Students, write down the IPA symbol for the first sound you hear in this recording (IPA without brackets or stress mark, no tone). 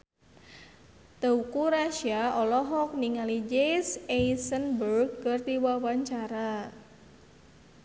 t̪